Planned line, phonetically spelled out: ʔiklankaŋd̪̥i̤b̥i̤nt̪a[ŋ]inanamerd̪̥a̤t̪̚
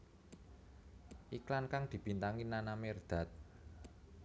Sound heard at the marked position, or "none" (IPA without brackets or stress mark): ŋ